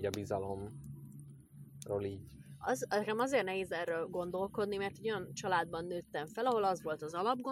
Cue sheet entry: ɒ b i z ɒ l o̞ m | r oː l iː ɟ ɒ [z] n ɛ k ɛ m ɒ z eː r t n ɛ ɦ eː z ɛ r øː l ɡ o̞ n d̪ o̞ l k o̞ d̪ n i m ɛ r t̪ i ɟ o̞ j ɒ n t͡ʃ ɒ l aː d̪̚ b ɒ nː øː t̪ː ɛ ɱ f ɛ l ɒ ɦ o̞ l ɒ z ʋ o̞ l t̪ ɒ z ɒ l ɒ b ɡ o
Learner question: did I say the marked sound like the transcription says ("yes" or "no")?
yes